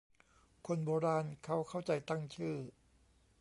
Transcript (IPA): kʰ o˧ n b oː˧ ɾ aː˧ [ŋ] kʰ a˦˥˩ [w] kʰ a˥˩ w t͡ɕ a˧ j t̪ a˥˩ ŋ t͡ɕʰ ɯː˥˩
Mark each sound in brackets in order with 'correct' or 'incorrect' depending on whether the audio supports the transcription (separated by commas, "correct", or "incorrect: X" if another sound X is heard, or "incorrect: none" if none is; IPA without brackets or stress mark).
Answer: incorrect: n, correct